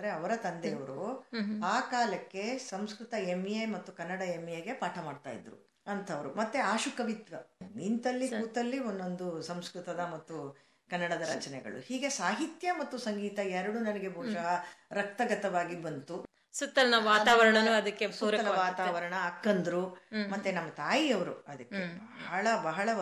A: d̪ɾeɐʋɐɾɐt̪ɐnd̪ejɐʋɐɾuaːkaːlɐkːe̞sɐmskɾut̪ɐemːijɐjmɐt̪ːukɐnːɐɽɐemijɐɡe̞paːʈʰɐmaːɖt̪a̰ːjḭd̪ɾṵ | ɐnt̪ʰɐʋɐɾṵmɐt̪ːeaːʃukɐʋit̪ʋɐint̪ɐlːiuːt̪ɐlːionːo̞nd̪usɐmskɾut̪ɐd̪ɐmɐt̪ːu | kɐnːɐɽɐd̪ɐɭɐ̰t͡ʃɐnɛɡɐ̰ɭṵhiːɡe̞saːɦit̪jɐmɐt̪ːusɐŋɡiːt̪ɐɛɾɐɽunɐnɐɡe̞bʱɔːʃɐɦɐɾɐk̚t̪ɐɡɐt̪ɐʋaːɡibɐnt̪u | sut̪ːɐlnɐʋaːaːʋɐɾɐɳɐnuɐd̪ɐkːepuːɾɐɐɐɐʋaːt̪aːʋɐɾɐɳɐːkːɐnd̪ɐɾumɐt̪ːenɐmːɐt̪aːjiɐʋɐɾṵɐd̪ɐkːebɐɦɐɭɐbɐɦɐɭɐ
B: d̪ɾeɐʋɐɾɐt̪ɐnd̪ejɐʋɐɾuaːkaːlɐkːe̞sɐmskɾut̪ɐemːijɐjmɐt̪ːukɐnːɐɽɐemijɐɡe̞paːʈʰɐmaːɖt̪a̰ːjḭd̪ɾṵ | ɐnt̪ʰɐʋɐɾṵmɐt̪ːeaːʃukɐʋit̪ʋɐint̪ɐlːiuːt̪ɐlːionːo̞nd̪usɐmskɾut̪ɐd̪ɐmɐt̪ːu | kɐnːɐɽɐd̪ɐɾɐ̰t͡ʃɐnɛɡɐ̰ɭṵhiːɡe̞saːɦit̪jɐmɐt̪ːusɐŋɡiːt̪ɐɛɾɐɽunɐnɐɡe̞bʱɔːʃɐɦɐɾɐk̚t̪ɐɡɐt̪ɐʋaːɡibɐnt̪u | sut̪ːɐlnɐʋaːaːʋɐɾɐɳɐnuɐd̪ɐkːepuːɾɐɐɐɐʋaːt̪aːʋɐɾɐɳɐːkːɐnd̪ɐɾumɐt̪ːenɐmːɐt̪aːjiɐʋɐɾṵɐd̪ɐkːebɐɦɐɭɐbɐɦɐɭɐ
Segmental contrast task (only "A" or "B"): B